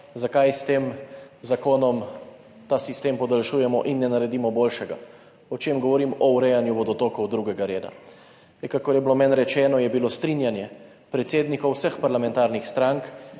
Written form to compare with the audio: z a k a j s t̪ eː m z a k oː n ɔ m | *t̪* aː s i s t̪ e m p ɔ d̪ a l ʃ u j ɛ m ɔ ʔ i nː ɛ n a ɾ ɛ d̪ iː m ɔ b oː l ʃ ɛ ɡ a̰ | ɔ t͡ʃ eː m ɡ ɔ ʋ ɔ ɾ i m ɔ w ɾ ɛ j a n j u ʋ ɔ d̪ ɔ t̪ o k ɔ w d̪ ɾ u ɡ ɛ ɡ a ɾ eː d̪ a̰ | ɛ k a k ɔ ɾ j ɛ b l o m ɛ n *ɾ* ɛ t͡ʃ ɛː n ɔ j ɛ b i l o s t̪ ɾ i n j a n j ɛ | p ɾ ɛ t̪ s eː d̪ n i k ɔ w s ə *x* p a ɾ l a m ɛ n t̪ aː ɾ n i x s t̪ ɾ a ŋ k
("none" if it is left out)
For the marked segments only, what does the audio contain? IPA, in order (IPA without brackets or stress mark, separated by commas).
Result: t̪, ɾ, x